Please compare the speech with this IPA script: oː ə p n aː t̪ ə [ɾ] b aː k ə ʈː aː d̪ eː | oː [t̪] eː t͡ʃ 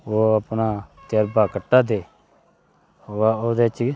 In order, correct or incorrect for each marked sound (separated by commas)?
correct, incorrect